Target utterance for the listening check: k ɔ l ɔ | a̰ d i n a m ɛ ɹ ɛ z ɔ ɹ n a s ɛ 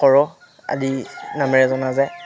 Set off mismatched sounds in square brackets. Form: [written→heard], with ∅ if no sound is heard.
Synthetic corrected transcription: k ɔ [l→ɹ] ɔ | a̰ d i n a m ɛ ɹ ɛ z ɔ [ɹ→∅] n a [s→z] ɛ